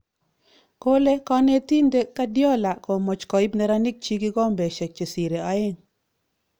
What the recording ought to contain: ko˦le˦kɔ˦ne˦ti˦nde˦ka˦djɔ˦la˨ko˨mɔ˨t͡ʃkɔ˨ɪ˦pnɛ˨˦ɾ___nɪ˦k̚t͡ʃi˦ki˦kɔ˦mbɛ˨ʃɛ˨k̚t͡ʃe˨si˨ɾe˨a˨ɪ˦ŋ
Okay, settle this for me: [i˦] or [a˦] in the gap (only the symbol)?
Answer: a˦